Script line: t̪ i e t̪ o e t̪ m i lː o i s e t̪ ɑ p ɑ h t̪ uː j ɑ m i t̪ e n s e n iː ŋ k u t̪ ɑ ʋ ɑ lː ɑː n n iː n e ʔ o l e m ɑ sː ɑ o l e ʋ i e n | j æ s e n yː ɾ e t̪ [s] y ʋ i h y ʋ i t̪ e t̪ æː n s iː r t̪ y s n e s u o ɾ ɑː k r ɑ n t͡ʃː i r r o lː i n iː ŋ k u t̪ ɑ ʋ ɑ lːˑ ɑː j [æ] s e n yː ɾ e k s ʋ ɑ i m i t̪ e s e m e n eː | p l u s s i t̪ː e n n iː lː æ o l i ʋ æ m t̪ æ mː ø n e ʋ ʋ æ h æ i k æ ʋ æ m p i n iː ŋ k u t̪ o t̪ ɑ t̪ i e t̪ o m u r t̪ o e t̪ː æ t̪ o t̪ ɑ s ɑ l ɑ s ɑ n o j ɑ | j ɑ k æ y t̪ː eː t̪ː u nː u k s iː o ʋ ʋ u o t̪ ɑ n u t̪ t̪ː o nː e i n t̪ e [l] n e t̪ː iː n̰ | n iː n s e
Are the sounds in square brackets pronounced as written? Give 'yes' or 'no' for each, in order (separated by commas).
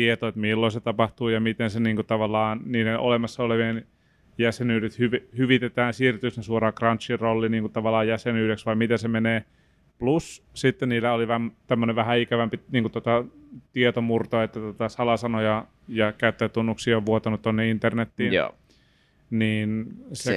no, yes, no